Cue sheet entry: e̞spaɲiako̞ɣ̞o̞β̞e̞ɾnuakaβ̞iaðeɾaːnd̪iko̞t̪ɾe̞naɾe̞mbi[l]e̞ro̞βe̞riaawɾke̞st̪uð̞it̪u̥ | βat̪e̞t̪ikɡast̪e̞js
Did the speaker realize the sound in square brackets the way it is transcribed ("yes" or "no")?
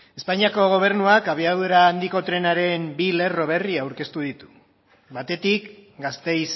yes